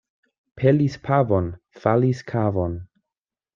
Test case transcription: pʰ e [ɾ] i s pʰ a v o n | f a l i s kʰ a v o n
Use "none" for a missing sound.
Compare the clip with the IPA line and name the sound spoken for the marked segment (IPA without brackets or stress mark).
l